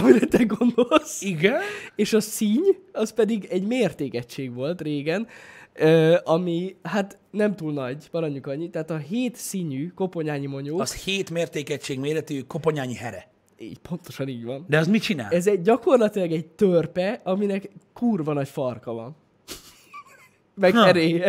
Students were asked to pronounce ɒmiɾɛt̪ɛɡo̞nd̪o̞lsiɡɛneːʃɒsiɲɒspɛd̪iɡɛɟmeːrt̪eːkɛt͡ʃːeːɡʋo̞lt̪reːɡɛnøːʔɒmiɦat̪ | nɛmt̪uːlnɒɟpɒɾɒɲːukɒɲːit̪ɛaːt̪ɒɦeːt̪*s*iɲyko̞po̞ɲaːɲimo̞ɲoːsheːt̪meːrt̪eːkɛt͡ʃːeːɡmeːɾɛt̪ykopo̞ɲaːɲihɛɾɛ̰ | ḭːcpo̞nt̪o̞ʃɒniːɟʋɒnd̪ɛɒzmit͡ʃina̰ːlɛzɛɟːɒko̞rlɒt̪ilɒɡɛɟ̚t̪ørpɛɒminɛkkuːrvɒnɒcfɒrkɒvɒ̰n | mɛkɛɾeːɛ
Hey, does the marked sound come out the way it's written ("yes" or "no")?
yes